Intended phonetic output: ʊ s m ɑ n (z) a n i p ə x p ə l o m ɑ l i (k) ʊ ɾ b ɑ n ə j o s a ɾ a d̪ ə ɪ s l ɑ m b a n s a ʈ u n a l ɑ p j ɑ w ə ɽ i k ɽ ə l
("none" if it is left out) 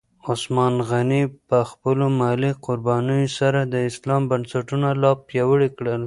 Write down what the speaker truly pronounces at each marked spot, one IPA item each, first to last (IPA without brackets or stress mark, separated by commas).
ɣ, q